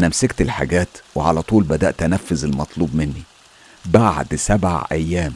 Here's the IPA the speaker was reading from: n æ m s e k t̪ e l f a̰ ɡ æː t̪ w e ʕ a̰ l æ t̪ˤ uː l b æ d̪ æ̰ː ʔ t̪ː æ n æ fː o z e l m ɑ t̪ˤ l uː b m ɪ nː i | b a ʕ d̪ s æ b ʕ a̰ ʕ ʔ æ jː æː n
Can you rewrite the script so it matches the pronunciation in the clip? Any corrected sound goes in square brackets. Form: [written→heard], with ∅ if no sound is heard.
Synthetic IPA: n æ m s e k t̪ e l [f→ħ] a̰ ɡ æː t̪ w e ʕ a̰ l æ t̪ˤ uː l b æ d̪ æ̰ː ʔ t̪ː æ n æ fː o z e l m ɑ t̪ˤ l uː b m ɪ nː i | b a ʕ d̪ s æ b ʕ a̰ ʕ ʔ æ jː æː [n→m]